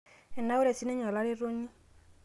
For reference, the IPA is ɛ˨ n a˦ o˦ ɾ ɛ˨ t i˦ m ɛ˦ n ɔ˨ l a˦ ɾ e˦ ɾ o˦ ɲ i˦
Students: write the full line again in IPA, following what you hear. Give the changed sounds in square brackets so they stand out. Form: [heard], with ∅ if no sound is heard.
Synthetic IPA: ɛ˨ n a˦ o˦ ɾ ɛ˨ [s] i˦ [n] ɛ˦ [ɲ] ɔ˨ l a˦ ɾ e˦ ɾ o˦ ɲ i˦